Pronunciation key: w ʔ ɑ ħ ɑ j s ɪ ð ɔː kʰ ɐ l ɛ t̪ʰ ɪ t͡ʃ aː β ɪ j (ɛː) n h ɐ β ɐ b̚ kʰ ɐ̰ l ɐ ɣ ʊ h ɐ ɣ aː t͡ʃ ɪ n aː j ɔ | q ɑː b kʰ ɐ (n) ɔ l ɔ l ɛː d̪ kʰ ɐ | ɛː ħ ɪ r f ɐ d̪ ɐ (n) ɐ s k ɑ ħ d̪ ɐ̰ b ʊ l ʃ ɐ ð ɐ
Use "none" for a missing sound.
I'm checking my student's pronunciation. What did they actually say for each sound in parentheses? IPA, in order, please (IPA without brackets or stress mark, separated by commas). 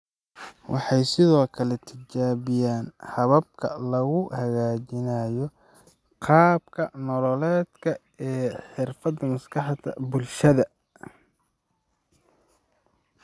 aː, n, m